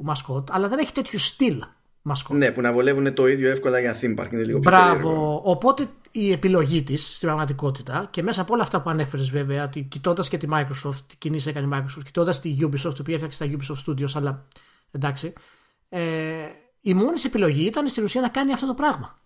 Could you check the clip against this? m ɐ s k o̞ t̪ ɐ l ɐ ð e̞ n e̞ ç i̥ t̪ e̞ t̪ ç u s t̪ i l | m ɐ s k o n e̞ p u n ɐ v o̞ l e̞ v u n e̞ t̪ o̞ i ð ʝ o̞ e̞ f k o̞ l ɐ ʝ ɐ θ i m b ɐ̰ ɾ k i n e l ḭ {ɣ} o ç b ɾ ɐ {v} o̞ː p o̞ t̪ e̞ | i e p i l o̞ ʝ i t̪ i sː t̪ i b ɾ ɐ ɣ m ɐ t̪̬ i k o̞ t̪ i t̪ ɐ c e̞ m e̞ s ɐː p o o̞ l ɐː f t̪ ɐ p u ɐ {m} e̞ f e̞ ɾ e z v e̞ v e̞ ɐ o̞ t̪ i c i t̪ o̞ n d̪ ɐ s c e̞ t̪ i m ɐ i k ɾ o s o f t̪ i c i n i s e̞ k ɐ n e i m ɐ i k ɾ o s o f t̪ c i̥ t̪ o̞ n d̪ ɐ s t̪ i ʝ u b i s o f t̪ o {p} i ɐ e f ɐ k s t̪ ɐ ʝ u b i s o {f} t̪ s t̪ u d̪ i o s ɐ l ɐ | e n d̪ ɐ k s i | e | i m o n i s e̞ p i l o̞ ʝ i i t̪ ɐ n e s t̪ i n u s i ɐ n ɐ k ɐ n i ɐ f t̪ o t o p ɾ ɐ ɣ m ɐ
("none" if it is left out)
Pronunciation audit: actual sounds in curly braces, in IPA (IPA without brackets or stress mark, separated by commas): ɣ, v, n, p, f